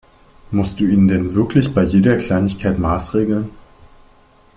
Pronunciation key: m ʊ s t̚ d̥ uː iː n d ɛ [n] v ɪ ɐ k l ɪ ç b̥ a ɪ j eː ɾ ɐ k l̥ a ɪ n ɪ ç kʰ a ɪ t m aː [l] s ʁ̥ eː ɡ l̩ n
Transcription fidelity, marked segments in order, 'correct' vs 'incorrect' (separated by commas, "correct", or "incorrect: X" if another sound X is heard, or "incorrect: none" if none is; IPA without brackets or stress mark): correct, incorrect: none